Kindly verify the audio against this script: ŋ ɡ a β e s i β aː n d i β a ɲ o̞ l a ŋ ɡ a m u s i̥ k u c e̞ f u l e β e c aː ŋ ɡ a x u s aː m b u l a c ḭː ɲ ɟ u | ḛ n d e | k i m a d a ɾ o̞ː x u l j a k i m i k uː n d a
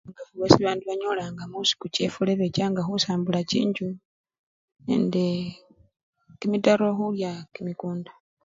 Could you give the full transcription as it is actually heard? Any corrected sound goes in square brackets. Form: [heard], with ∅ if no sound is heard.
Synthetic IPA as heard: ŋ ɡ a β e s i β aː n d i β a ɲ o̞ l a ŋ ɡ a m u s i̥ k u c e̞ f u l e β e c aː ŋ ɡ a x u s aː m b u l a c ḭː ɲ ɟ u | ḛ n d e | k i m [i] d a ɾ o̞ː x u l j a k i m i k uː n d a

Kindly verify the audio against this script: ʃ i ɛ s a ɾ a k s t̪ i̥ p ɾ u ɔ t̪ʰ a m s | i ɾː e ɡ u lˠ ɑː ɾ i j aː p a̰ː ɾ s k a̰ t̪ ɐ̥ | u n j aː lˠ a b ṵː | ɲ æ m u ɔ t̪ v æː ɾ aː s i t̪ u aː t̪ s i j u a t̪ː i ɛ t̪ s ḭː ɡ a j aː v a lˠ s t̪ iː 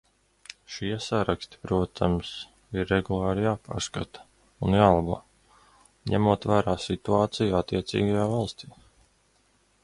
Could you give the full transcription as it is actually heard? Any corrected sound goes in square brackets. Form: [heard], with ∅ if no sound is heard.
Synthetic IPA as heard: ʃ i ɛ s a ɾ a k s t̪ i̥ p ɾ u ɔ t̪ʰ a m s | i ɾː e ɡ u lˠ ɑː ɾ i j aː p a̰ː ɾ s k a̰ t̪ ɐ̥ | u n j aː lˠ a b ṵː | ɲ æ m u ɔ t̪ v æː ɾ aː s i t̪ u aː t̪ s i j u a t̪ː i ɛ t̪ s ḭː ɡ a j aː v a lˠ s t̪ iː

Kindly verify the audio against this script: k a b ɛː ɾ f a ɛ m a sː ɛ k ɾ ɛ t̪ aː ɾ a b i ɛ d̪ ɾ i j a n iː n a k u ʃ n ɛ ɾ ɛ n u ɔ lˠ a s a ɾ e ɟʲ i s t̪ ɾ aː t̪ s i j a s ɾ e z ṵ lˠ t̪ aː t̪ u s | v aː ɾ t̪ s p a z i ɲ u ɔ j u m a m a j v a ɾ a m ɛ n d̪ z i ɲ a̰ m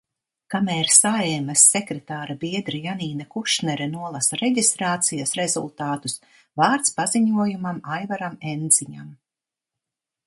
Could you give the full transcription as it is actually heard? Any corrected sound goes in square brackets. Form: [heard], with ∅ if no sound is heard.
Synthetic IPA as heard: k a [m] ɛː ɾ [s] a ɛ m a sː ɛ k ɾ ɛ t̪ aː ɾ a b i ɛ d̪ ɾ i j a n iː n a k u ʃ n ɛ ɾ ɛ n u ɔ lˠ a s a ɾ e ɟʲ i s t̪ ɾ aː t̪ s i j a s ɾ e z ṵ lˠ t̪ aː t̪ u s | v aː ɾ t̪ s p a z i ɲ u ɔ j u m a m a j v a ɾ a m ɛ n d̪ z i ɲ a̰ m

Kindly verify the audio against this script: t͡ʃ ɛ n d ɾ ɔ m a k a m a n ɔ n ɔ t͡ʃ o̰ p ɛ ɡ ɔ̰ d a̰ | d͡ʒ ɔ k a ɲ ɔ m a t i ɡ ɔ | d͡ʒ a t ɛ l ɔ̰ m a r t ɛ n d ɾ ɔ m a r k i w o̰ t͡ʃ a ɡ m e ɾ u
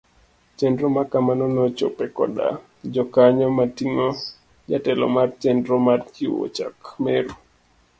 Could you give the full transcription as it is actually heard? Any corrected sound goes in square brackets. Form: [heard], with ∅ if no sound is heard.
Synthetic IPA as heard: t͡ʃ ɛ n d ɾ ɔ m a k a m a n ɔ n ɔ t͡ʃ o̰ p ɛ [k] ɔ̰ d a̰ | d͡ʒ ɔ k a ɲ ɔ m a t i [ŋ] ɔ | d͡ʒ a t ɛ l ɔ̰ m a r [t͡ʃ] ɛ n d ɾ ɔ m a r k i w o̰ t͡ʃ a [k] m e ɾ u

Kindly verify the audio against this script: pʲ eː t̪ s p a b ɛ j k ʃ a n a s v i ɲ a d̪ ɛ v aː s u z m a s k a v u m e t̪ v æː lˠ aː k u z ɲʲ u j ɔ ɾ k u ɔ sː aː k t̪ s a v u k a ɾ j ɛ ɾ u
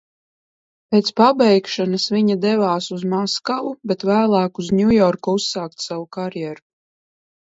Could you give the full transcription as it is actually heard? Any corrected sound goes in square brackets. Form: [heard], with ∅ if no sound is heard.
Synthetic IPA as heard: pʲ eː t̪ s p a b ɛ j k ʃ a n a s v i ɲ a d̪ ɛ v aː s u z m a s k a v u [b] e t̪ v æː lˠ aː k u z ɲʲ u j ɔ ɾ k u [u] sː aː k t̪ s a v u k a ɾ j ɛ ɾ u

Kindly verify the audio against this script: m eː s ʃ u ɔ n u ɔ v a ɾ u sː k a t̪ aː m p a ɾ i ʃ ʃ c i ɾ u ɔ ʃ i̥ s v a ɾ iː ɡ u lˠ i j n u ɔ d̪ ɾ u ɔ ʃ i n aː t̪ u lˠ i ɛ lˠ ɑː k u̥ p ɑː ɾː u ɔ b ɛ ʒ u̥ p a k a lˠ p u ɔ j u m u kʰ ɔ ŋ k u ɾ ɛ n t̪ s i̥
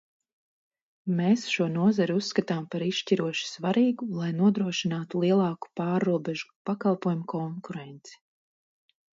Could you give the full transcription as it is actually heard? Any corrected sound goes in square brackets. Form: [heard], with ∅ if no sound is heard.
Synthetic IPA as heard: m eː s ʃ u ɔ n u ɔ [z] a ɾ u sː k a t̪ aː m p a ɾ i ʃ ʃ c i ɾ u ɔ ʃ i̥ s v a ɾ iː ɡ u lˠ [a] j n u ɔ d̪ ɾ u ɔ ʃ i n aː t̪ u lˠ i ɛ lˠ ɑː k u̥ p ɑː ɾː u ɔ b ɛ ʒ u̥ p a k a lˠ p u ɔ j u m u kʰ ɔ ŋ k u ɾ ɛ n t̪ s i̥

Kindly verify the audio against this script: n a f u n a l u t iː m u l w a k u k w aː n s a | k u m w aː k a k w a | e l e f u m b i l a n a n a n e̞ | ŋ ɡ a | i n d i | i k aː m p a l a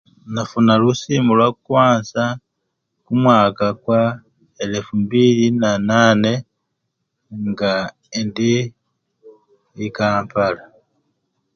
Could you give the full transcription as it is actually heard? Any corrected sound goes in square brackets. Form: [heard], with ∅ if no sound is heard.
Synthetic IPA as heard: n a f u n a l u [s] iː m u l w a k u k w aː n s a | k u m w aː k a k w a | e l e f u m b i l [i] n a n a n e̞ | ŋ ɡ a | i n d i | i k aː m p a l a

